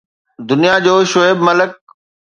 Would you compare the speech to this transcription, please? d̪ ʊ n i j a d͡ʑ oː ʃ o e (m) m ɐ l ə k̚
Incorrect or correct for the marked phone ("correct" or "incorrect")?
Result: incorrect